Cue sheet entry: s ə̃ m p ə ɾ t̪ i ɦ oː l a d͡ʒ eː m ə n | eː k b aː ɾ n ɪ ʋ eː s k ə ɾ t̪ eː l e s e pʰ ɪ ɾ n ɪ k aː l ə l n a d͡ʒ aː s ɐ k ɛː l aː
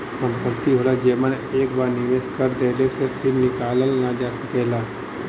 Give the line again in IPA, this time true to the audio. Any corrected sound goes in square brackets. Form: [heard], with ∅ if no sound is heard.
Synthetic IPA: s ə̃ m p ə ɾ t̪ i ɦ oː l a d͡ʒ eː m ə n | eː k b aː ɾ n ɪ ʋ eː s k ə ɾ [d̪] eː l e s e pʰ ɪ ɾ n ɪ k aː l ə l n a d͡ʒ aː s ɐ k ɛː l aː